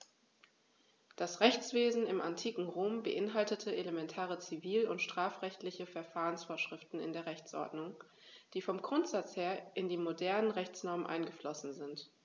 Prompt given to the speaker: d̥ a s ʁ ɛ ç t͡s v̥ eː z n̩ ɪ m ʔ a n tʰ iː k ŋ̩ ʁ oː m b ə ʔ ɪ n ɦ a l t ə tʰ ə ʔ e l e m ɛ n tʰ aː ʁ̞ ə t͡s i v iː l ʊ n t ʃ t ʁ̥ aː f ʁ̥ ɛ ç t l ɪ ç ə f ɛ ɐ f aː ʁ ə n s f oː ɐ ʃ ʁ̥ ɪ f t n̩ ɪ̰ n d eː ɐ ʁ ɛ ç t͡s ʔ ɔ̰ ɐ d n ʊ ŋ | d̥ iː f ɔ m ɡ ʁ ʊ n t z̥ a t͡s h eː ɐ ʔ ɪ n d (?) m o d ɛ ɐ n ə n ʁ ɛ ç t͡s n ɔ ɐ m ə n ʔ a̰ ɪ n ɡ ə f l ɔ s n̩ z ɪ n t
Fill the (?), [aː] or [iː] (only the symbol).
iː